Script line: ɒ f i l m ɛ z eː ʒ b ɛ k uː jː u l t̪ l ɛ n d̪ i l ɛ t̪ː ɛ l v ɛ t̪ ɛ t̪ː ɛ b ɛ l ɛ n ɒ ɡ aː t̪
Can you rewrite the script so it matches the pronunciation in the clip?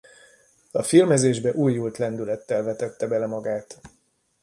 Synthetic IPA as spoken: ɒ f i l m ɛ z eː ʒ b ɛ ʔ uː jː u l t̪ l ɛ n d̪ y l ɛ t̪ː ɛ l v ɛ t̪ ɛ t̪ː ɛ b ɛ l ɛ m ɒ ɡ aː t̪